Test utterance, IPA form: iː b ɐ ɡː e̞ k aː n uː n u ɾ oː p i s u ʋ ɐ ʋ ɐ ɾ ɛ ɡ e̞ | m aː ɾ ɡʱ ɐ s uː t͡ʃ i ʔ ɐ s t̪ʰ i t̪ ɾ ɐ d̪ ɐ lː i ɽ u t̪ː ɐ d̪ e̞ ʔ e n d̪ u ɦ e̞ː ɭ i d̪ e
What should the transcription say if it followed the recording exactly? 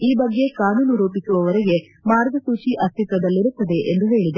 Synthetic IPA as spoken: iː b ɐ ɡː e̞ k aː n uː n u ɾ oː p i s u ʋ ɐ ʋ ɐ ɾ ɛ ɡ e̞ | m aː ɾ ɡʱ ɐ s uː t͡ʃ i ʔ ɐ s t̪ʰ i t̪ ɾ ɐ d̪ ɐ lː i ɾ u t̪ː ɐ d̪ e̞ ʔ e n d̪ u ɦ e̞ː ɭ i d̪ e